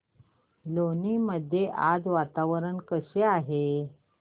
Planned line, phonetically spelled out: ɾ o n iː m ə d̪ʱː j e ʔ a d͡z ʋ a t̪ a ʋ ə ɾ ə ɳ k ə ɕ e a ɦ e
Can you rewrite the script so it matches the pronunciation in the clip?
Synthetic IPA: l o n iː m ə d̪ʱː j e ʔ a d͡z ʋ a t̪ a ʋ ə ɾ ə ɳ k ə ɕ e a ɦ e